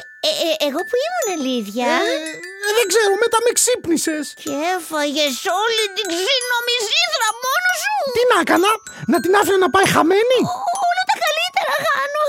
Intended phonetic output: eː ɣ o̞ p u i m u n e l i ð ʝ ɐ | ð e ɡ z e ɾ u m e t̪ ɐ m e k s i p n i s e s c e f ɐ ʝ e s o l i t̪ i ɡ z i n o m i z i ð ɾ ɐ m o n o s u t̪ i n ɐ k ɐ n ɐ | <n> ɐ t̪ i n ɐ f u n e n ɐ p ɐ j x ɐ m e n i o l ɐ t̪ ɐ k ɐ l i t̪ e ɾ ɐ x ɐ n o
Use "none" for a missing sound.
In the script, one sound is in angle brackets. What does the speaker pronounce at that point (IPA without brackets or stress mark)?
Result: n